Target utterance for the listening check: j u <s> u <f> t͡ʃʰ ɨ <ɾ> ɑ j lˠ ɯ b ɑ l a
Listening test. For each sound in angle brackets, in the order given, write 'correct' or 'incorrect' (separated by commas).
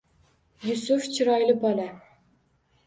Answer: correct, correct, correct